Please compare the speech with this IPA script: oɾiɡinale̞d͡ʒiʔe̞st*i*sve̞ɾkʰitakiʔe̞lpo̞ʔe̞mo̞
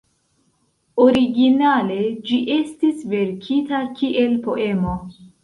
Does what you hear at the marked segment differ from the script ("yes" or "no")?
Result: no